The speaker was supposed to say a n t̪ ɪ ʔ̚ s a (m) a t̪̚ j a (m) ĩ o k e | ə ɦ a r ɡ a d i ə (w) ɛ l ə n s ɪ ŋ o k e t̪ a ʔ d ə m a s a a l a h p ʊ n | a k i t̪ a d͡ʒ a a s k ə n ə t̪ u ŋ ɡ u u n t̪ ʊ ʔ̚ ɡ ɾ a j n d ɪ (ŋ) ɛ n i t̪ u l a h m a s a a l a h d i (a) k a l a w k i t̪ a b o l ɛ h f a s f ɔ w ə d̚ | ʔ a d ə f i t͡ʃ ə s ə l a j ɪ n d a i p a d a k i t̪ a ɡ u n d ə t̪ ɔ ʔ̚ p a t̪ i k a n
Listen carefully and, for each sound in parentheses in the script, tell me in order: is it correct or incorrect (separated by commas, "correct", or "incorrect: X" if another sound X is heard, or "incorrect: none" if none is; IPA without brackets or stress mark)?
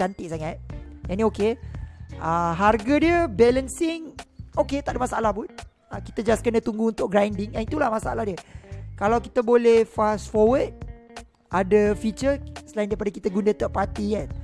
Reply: incorrect: ŋ, incorrect: n, incorrect: b, correct, incorrect: ə